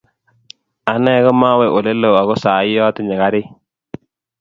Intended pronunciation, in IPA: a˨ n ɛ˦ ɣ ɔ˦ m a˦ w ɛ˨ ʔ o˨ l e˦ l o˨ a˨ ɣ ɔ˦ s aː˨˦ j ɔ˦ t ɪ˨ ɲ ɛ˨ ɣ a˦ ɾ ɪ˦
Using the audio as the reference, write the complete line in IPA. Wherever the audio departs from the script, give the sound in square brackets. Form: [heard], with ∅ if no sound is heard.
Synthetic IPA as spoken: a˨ n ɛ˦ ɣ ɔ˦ m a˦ w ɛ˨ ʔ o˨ l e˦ l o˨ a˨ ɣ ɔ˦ s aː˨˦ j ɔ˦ t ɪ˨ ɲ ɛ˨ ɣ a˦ ɾ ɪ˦